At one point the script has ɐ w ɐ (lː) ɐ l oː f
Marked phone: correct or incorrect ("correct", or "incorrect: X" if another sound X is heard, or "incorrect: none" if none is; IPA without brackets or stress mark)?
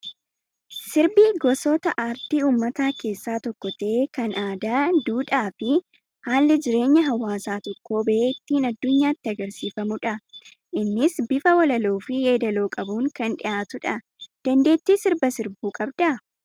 incorrect: l